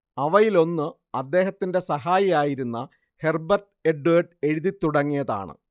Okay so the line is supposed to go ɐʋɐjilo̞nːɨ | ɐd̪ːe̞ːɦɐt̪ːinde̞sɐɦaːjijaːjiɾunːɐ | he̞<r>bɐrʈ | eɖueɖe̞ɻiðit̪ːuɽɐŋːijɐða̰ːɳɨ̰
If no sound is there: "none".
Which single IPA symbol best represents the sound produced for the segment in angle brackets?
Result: r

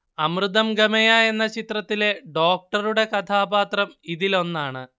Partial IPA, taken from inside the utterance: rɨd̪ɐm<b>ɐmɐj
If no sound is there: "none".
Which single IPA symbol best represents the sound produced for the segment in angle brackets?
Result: ɡ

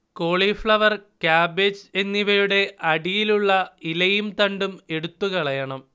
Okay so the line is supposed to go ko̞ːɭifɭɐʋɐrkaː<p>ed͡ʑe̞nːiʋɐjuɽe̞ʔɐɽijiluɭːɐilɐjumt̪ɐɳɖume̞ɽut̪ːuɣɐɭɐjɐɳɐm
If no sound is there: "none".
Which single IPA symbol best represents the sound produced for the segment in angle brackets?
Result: b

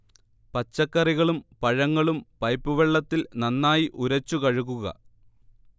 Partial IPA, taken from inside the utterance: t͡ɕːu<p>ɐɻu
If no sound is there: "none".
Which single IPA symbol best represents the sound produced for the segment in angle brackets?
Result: k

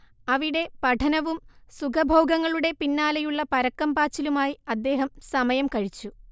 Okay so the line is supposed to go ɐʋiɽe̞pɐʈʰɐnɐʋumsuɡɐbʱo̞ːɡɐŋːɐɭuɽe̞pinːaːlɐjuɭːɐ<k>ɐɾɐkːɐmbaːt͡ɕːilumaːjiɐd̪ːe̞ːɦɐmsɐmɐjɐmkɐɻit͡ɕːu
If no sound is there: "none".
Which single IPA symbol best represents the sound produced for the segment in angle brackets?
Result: p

